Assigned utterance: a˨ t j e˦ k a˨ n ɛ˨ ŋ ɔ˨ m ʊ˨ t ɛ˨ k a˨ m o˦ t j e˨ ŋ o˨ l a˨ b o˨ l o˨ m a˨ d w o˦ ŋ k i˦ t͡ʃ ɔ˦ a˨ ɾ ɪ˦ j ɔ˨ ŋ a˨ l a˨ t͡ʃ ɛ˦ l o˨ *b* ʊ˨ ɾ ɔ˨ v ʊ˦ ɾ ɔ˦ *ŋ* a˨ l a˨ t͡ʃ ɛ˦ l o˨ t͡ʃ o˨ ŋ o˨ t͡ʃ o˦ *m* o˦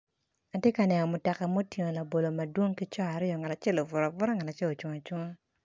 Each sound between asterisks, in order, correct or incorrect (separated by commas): incorrect, correct, incorrect